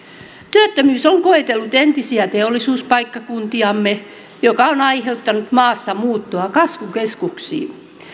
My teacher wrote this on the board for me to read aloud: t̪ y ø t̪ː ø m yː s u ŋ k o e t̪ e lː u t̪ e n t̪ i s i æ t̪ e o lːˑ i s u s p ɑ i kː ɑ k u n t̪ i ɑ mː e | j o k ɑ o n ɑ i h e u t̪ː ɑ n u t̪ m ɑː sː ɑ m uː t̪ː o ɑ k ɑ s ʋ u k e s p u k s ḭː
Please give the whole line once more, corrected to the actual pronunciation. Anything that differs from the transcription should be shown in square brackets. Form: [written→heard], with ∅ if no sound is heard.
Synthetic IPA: t̪ y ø t̪ː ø m yː s [u→o] ŋ k o e t̪ e lː u t̪ e n t̪ i s i æ t̪ e o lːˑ i s [u→uː] s p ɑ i kː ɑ k u n t̪ i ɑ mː e | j o k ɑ o n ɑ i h e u t̪ː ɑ n u t̪ m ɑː sː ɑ m uː t̪ː o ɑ k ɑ s ʋ u k e s [p→k] u k s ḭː